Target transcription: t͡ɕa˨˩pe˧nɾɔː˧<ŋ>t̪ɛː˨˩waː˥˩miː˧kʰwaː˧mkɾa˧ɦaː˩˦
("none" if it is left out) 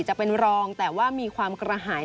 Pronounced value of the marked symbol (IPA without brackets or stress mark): ŋ